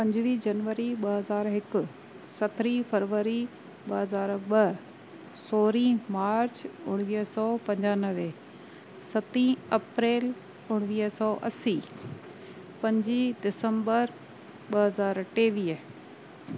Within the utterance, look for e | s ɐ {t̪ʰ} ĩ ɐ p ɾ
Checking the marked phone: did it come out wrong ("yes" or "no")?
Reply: yes